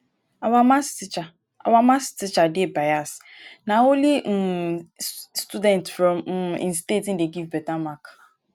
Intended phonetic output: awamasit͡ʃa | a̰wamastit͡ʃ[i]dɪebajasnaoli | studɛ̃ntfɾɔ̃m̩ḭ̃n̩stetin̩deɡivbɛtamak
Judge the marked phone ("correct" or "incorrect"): incorrect